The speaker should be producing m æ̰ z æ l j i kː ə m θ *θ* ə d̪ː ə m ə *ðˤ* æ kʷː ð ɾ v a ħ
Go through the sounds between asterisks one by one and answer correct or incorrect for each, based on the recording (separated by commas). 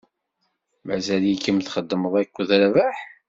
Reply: incorrect, correct